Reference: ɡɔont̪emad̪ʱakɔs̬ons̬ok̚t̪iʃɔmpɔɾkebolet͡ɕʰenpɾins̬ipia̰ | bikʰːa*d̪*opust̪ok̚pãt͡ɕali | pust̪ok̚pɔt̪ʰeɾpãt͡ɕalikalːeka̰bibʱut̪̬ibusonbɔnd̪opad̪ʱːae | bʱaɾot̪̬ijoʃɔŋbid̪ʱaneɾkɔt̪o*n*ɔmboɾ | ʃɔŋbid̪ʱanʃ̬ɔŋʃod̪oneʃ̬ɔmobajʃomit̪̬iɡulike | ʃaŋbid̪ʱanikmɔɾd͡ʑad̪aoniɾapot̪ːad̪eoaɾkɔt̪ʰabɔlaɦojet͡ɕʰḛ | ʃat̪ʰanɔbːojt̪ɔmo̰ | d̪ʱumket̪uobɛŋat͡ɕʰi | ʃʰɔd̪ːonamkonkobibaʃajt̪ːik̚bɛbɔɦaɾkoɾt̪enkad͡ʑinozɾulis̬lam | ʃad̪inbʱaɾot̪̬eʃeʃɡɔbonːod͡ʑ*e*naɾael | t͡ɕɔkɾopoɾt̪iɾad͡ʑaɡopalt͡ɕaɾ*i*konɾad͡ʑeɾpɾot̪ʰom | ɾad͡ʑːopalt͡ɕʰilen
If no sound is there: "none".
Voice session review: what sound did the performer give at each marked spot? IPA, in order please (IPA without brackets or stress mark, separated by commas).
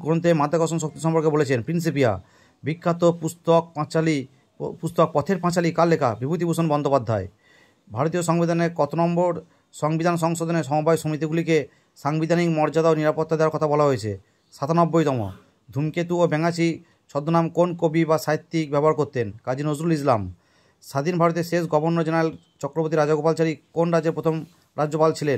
t̪, n, e, i